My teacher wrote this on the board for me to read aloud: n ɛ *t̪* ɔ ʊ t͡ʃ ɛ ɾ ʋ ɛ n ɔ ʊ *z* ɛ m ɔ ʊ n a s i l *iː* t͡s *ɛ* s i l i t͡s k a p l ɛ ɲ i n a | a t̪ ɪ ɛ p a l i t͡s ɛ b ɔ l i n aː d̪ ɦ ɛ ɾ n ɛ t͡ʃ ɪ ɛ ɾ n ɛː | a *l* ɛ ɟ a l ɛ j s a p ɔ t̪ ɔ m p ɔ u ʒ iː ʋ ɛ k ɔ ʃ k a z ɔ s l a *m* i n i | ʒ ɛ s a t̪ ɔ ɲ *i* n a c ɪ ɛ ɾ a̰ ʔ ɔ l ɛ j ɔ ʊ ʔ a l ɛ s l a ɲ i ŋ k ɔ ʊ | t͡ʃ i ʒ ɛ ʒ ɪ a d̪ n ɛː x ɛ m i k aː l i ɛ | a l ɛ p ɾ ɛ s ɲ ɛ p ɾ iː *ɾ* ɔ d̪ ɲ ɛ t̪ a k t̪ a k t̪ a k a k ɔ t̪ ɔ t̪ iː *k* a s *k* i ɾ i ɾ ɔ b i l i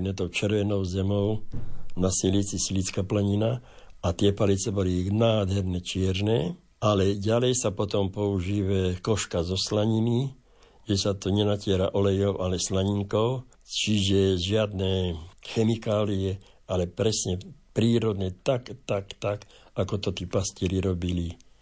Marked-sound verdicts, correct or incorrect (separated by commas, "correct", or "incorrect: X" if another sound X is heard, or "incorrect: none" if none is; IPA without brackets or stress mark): correct, correct, incorrect: i, incorrect: i, correct, incorrect: ɲ, incorrect: ɛ, correct, incorrect: p, incorrect: c